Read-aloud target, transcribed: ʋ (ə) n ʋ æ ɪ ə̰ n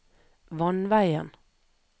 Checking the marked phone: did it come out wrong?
yes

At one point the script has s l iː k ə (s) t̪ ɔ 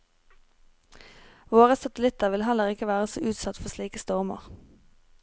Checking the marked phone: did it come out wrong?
no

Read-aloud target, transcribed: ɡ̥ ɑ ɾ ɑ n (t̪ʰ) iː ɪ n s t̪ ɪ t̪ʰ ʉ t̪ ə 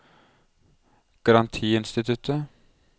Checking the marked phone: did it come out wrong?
no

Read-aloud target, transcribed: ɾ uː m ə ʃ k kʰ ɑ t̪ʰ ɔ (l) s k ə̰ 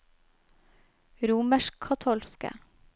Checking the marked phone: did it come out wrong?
no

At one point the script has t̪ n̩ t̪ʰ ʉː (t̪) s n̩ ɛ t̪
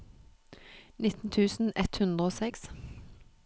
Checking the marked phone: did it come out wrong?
yes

